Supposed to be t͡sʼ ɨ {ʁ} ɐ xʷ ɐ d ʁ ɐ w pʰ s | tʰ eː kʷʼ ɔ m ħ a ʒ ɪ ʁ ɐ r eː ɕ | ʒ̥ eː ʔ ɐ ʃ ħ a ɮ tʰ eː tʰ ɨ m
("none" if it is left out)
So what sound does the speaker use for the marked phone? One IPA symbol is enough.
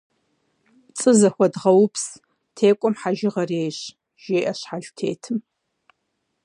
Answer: z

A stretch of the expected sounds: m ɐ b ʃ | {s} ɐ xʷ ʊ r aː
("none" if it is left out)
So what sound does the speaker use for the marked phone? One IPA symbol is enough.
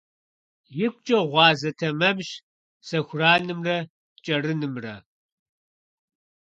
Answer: s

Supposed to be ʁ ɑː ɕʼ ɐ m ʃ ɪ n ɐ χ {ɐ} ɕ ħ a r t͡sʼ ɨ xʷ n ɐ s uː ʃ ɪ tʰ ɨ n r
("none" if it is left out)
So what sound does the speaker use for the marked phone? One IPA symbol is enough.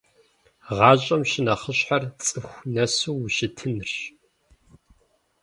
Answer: ə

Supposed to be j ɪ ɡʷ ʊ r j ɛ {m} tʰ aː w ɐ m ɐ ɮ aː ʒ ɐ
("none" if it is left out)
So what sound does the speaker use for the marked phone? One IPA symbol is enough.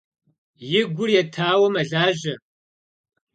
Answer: none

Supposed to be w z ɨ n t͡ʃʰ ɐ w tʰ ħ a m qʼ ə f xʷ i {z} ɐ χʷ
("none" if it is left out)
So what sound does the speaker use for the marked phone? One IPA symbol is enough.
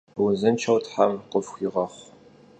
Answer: ʁ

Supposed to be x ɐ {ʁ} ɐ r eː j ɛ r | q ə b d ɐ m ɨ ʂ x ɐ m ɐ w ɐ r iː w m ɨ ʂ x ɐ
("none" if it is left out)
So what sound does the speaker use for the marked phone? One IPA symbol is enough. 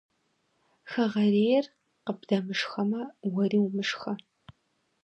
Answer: ʁ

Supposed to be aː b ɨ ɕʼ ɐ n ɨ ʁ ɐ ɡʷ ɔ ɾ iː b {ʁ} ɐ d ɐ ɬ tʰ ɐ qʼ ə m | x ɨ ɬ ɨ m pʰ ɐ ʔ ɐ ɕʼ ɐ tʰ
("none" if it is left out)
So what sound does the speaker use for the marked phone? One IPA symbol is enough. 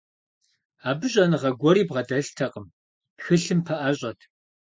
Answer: ʁ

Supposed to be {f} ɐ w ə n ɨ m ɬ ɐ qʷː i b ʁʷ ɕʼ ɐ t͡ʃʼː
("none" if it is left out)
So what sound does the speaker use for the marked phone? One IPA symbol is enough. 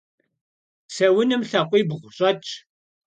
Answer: s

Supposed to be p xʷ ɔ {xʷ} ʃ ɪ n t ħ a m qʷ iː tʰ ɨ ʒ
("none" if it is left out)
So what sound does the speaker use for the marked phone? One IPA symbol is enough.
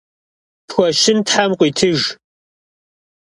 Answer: none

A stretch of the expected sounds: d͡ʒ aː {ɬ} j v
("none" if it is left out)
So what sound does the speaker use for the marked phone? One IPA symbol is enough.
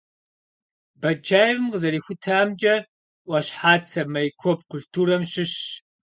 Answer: none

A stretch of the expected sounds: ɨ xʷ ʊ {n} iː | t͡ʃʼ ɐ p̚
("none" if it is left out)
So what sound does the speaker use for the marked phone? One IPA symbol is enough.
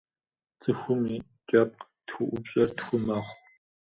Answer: m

